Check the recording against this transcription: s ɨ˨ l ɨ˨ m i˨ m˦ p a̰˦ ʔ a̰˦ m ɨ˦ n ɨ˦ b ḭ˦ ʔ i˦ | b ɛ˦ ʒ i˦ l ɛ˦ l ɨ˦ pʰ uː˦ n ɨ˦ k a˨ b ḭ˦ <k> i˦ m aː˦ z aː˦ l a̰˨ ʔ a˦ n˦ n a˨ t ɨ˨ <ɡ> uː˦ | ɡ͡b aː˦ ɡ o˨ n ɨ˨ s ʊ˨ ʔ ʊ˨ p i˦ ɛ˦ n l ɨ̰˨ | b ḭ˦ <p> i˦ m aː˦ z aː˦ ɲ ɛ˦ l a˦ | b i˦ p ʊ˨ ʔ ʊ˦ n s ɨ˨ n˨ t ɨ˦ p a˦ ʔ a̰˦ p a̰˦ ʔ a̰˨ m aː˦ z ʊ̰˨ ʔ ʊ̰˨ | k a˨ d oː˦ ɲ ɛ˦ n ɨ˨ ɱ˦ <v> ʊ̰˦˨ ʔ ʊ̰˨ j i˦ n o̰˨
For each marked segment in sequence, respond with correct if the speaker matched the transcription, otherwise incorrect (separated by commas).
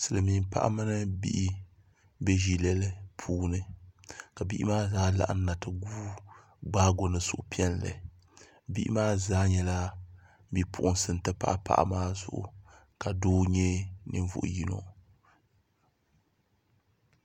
incorrect, correct, incorrect, correct